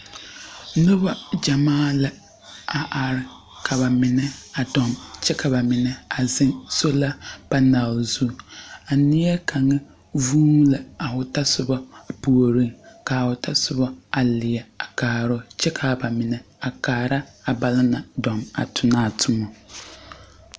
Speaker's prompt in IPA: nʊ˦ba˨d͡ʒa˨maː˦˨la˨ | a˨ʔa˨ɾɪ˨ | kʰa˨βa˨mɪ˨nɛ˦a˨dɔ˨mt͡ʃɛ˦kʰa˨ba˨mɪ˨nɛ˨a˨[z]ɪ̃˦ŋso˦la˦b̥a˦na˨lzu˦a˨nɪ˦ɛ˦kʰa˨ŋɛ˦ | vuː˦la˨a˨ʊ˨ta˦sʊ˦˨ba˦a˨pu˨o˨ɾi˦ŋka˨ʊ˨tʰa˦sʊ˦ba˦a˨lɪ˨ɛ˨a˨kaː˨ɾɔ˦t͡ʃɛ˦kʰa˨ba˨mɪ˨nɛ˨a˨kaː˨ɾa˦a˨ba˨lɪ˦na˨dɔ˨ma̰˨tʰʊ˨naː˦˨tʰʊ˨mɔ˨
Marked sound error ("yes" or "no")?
no